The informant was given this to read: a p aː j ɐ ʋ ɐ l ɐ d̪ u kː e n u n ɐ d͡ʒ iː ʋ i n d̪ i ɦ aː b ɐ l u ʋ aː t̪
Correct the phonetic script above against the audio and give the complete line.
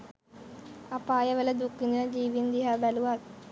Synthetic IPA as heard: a p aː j ɐ ʋ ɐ l ɐ d̪ u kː i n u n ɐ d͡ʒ iː ʋ i n d̪ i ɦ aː b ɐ l u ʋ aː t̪